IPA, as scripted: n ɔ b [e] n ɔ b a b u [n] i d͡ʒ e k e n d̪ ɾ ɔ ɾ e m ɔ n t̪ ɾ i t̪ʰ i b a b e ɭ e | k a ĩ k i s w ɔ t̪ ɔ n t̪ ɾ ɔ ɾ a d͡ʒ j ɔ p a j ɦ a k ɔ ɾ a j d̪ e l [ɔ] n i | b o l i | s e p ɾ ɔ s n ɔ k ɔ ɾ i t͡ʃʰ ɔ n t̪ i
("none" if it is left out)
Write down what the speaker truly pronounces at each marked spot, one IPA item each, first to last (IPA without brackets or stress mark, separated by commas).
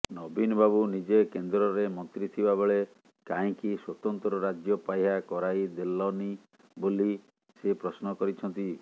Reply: i, n, ɔ